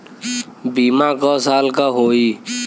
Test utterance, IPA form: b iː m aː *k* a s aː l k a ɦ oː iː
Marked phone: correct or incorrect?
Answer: correct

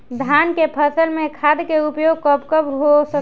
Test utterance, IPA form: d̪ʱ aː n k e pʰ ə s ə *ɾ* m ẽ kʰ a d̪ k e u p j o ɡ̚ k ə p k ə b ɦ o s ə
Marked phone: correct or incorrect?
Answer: incorrect: l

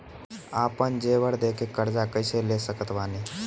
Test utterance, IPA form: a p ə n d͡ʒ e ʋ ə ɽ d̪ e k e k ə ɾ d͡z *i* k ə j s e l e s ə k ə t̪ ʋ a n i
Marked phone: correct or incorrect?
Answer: incorrect: a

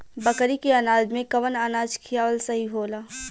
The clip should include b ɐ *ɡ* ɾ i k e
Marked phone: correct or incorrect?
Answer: incorrect: k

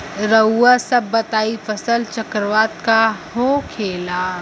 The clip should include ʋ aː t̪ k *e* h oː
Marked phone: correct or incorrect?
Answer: incorrect: a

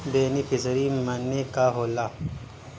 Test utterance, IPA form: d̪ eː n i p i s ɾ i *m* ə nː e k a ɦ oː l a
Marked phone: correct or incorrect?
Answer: correct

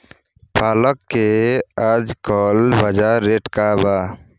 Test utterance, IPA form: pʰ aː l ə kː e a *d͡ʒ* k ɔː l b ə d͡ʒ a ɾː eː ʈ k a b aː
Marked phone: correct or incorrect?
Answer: correct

